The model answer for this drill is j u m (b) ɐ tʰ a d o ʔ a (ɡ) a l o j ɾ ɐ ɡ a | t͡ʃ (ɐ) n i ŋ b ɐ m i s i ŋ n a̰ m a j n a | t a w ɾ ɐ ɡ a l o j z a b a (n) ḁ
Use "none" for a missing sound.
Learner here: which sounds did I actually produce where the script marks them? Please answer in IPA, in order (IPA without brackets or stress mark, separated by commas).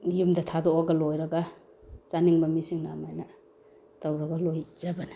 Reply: d, ɡ, a, n